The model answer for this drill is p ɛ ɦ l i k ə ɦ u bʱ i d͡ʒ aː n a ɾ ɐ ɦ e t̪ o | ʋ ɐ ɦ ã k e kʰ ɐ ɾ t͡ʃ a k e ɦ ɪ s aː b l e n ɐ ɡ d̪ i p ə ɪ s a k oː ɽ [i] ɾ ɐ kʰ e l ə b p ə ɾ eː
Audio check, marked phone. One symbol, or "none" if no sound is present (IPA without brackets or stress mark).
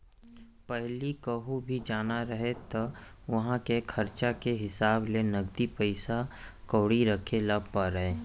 i